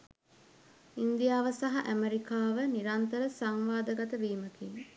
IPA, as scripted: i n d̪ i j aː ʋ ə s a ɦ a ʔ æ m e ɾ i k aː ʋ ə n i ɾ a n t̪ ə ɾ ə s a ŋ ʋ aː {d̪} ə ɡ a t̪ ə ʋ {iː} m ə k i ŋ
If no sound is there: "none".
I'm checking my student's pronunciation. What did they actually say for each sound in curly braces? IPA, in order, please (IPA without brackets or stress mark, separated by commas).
d̪, iː